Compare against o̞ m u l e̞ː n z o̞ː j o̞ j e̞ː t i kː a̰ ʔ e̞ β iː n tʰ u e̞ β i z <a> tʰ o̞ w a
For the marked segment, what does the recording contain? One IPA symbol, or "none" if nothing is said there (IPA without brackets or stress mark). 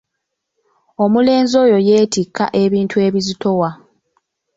i